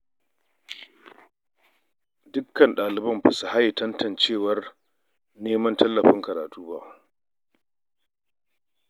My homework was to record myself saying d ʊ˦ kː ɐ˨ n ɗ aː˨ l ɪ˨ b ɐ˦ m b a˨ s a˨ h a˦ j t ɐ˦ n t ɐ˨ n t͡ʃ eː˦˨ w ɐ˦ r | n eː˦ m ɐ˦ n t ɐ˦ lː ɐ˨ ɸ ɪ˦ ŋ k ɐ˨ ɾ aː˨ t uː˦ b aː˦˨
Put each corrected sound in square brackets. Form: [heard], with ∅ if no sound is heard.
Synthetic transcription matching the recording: d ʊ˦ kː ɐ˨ n ɗ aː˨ l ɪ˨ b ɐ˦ m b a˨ s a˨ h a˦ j t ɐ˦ n t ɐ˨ n t͡ʃ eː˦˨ w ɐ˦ r | n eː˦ m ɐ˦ n t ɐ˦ lː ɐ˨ ɸ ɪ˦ ŋ k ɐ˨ ɾ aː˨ t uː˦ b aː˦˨

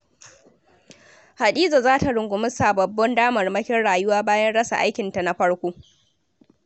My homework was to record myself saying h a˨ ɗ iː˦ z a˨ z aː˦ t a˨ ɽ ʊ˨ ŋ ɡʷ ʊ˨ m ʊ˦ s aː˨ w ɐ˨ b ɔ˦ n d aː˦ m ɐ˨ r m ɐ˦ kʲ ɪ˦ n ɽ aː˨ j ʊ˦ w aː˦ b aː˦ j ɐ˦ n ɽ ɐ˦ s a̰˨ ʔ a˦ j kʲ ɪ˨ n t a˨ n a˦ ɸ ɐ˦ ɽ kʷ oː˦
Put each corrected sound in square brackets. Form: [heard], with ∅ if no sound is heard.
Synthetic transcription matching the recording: h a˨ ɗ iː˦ z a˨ z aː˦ t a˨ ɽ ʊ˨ ŋ ɡʷ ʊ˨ m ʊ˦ s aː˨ [b] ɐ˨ [bː] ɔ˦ n d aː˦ m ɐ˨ r m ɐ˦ kʲ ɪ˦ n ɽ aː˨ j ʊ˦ w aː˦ b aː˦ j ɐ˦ n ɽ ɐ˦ s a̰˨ ʔ a˦ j kʲ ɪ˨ n t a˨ n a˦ ɸ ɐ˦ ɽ kʷ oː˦

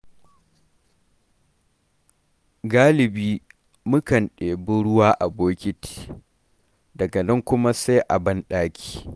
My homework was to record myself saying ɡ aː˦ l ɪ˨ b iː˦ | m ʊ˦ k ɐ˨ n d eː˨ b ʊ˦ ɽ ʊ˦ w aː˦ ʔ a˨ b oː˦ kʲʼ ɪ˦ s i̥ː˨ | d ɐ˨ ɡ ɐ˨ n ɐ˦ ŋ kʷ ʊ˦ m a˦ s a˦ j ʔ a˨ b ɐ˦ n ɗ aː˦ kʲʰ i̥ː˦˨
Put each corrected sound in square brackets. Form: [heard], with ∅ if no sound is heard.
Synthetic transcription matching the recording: ɡ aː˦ l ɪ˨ b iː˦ | m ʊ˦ k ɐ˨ n [ɗ] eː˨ b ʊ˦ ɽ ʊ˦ w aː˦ ʔ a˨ b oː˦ [kʲ] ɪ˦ [t] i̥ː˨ | d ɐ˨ ɡ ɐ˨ n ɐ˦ ŋ kʷ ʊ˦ m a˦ s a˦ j ʔ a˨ b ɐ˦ n ɗ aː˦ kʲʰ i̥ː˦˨

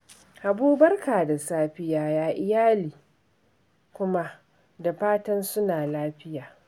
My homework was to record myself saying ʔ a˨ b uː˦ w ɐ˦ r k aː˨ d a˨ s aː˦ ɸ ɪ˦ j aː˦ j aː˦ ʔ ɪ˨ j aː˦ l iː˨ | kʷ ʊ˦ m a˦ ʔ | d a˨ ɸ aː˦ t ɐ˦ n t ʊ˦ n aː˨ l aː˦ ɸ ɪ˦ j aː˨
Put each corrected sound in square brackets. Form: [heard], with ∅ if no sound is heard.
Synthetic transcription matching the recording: ʔ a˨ b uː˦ [b] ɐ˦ r k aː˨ d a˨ s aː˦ ɸ ɪ˦ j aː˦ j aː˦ ʔ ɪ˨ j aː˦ l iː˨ | kʷ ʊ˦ m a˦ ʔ | d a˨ ɸ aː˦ t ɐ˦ n [s] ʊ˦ n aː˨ l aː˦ ɸ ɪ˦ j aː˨

